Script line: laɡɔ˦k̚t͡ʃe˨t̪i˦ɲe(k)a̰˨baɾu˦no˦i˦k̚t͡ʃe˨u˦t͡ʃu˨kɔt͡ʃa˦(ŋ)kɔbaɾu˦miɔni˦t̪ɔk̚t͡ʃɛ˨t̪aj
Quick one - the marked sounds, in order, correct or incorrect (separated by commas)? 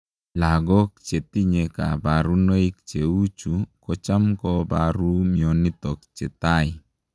correct, incorrect